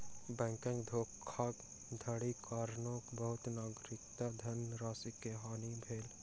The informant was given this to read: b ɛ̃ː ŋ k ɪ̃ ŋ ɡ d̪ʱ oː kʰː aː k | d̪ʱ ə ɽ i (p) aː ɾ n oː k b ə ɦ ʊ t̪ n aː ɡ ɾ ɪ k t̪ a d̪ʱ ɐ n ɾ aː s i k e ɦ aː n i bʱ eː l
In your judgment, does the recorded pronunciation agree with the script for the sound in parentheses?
no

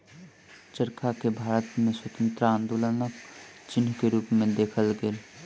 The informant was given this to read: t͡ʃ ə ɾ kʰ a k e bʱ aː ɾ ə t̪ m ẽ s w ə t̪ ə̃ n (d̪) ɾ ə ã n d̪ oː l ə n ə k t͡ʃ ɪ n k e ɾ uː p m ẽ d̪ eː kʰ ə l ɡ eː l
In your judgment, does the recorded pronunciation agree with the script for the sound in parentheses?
no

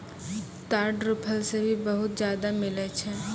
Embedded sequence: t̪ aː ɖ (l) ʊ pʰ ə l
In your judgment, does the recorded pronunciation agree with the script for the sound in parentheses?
no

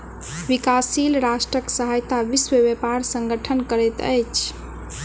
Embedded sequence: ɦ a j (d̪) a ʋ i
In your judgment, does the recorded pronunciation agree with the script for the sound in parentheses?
no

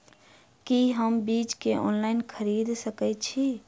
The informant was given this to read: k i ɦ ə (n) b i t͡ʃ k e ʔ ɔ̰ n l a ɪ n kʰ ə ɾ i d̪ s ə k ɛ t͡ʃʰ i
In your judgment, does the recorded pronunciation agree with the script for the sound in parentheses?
no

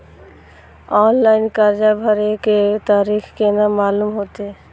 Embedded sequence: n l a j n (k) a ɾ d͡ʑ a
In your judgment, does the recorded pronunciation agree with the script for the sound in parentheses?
yes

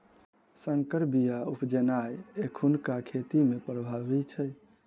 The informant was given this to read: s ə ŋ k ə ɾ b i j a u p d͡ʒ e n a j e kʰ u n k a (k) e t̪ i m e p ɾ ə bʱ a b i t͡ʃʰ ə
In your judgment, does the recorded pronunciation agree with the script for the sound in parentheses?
no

